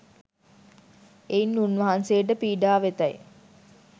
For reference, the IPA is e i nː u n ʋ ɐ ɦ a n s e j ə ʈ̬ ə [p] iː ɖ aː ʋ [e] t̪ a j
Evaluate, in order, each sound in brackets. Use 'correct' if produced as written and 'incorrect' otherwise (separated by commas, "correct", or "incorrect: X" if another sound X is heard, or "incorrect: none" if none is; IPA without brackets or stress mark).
correct, correct